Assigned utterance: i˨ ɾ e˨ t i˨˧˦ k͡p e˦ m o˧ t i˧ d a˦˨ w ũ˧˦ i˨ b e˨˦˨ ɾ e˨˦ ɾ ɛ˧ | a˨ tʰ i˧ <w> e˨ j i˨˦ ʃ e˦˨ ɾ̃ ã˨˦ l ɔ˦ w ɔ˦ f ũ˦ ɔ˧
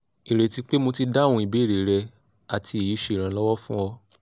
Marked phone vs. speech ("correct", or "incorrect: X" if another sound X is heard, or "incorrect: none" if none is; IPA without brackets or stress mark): incorrect: none